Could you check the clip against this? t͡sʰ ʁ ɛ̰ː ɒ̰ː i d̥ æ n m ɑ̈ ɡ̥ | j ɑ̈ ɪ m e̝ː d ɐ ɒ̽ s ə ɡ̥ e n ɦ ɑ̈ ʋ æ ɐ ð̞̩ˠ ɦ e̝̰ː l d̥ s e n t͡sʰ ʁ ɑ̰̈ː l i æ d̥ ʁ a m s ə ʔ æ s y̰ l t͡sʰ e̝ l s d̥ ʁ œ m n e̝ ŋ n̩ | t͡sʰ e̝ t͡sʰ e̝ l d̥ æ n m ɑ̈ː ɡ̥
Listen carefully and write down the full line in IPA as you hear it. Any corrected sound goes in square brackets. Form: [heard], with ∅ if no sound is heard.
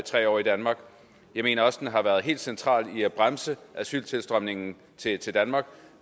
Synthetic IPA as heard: t͡sʰ ʁ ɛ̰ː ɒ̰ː i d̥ æ n m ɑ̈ ɡ̥ | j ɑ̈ ɪ m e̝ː [n] ɐ ɒ̽ s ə [d̥] e n ɦ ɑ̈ ʋ æ ɐ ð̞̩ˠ ɦ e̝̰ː l d̥ s e n t͡sʰ ʁ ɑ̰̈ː l i æ [b̥] ʁ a m s ə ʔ æ s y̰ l t͡sʰ e̝ l s d̥ ʁ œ m n e̝ ŋ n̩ | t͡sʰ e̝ t͡sʰ e̝ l d̥ æ n m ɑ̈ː ɡ̥